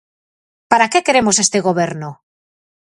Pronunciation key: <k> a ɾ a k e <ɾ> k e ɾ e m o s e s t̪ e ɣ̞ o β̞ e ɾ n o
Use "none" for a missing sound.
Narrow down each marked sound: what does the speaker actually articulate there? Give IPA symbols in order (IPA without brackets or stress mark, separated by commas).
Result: p, none